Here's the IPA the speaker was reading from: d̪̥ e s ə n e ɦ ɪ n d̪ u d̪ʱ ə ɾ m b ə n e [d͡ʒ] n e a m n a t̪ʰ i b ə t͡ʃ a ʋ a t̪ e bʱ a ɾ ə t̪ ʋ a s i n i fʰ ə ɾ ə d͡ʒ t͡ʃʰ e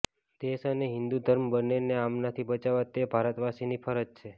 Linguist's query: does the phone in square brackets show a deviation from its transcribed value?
yes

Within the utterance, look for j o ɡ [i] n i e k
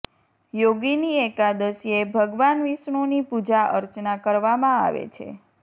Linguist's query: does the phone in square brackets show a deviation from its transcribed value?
no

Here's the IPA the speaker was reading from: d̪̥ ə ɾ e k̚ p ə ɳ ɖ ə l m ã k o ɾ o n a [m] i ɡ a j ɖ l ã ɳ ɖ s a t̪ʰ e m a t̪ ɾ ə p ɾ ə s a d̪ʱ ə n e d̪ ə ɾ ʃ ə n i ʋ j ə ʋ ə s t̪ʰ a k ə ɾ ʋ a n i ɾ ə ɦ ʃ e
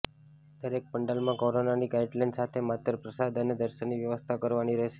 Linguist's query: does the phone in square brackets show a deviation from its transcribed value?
yes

